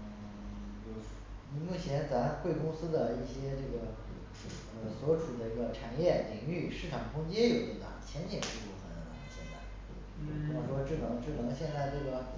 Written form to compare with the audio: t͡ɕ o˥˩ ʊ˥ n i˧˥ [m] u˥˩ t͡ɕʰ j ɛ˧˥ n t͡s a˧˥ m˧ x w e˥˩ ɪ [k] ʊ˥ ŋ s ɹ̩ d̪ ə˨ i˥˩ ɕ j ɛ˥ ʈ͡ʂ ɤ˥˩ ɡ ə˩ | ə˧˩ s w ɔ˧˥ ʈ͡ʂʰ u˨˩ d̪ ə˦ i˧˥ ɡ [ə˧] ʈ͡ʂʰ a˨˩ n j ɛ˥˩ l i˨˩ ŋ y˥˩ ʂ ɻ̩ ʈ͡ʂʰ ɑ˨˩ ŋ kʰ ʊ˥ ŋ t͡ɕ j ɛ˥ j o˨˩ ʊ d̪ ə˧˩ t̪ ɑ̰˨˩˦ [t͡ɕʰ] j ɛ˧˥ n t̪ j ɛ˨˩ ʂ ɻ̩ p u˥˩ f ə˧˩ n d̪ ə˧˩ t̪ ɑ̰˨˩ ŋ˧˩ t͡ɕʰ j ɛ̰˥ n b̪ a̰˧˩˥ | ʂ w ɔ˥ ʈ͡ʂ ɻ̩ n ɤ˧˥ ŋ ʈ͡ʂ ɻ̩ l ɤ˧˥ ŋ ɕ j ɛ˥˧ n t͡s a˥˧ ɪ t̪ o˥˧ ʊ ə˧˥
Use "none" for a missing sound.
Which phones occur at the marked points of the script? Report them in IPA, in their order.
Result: m, k, ə˧, t͡ɕʰ

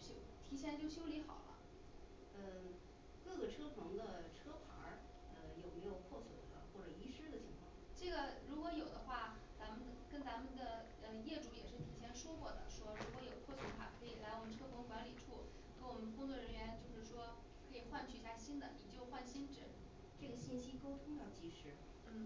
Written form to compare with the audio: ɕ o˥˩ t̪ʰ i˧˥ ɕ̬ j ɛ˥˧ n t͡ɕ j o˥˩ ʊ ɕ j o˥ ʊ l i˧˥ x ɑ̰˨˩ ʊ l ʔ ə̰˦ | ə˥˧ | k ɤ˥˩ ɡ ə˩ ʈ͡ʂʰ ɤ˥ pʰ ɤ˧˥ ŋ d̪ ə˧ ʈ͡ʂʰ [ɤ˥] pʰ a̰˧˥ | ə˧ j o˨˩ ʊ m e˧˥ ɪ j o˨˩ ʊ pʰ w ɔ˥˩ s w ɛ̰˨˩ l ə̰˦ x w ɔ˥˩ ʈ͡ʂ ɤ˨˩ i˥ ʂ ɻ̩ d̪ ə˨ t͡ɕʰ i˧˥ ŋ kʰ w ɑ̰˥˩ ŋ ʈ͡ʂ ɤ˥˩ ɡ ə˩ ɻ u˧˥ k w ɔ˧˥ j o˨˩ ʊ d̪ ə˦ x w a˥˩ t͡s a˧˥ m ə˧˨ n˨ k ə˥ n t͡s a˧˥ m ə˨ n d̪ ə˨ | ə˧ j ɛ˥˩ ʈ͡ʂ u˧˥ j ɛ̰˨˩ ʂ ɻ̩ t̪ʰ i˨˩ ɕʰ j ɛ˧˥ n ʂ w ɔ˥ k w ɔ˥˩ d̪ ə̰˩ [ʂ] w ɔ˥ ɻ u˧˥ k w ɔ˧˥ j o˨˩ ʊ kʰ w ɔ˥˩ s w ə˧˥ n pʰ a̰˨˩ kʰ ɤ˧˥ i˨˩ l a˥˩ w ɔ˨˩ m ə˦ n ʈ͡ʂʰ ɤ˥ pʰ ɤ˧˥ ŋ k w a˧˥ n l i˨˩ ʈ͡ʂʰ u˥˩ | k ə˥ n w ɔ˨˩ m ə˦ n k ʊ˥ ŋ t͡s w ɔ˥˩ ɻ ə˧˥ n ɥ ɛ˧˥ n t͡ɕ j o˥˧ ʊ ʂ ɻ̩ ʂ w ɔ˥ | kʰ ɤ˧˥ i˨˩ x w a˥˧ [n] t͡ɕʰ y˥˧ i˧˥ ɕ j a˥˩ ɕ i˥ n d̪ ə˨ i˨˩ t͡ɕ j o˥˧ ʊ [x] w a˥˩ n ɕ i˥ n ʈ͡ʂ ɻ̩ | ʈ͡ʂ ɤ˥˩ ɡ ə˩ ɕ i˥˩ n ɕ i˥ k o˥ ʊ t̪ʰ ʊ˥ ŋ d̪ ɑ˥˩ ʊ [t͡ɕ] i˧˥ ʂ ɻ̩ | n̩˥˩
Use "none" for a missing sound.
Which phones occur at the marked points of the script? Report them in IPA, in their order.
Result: ɤ˥, ʂ, n, x, t͡ɕ

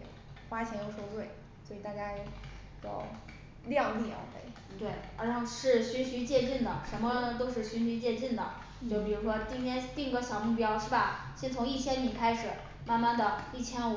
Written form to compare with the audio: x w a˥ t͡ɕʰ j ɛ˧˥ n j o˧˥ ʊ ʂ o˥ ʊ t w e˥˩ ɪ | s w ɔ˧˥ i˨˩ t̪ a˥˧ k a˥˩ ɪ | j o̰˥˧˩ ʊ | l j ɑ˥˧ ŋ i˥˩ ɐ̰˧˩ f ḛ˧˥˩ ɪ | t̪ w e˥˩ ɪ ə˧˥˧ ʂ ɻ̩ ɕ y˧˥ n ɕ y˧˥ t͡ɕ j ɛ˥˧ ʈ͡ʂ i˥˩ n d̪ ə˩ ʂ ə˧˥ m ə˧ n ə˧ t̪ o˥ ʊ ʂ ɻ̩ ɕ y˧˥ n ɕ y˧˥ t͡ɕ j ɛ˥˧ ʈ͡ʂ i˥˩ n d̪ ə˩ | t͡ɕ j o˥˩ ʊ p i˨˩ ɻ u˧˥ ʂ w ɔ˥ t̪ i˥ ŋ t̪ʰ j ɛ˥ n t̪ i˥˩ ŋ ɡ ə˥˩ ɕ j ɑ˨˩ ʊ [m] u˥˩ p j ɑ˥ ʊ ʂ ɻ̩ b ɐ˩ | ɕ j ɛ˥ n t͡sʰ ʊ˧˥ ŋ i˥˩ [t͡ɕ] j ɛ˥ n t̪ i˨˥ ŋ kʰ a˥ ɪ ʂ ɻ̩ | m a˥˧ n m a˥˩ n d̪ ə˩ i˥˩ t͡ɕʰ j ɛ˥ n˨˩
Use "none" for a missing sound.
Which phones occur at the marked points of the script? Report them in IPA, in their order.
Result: m, t͡ɕʰ

